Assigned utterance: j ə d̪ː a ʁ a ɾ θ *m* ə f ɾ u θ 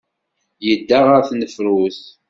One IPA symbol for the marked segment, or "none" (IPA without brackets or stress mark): n